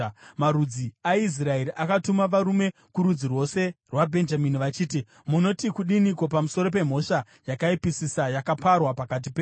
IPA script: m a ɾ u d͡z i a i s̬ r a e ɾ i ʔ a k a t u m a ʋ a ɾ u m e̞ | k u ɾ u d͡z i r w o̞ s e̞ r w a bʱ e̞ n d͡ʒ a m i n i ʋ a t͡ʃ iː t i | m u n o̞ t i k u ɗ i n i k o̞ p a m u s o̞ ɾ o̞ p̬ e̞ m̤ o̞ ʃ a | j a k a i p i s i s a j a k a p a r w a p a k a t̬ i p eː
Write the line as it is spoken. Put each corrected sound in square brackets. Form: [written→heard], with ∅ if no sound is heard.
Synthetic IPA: m a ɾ u d͡z i a i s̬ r a e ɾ i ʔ a k a t u m a ʋ a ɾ u m e̞ | k u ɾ u d͡z i r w o̞ s e̞ r w a bʱ e̞ n d͡ʒ a m i n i ʋ a t͡ʃ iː t i | m u n o̞ t i k u ɗ i n i k o̞ p a m u s o̞ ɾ o̞ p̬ e̞ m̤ o̞ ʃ a | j a k a i p i s i s a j a k a p a r w a p a k a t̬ i p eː